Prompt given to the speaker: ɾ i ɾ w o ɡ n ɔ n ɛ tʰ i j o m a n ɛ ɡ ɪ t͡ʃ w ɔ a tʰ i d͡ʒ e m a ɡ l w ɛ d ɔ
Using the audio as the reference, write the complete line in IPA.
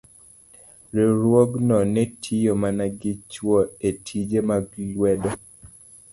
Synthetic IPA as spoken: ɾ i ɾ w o ɡ n ɔ n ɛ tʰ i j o m a n a ɡ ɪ t͡ʃ w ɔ e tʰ i d͡ʒ e m a ɡ l w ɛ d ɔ